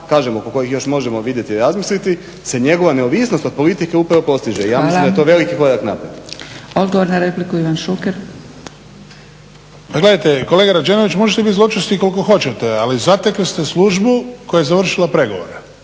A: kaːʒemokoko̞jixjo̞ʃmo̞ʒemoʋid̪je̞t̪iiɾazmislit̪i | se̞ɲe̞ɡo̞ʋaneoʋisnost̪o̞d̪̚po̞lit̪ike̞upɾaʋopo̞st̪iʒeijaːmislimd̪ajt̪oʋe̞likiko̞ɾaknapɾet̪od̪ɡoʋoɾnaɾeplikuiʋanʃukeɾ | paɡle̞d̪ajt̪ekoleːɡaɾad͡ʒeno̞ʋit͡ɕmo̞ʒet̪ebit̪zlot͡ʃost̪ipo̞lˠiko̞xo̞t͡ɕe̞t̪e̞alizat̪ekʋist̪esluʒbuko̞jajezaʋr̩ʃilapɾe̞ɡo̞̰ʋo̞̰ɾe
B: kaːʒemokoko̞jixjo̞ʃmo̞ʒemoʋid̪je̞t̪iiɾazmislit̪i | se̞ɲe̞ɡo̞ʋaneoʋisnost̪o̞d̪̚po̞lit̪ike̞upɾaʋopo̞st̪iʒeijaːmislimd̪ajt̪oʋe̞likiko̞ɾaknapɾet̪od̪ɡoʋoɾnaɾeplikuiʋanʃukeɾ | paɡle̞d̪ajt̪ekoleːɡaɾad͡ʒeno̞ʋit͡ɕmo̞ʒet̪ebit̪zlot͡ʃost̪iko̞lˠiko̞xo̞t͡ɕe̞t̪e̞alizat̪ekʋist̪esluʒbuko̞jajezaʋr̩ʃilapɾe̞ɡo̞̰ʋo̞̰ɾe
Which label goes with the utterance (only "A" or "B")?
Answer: B